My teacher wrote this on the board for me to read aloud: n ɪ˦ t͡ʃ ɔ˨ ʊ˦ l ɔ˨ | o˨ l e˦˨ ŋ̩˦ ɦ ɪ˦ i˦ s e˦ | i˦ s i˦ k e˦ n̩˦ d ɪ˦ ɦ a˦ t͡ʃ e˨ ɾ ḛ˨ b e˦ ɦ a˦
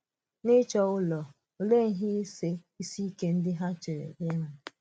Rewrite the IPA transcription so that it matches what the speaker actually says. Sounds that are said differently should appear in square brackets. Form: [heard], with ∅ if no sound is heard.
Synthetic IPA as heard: n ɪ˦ t͡ʃ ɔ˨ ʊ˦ l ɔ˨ | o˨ l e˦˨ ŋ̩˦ ɦ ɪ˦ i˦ s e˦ | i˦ s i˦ k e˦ n̩˦ d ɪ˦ ɦ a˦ t͡ʃ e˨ ɾ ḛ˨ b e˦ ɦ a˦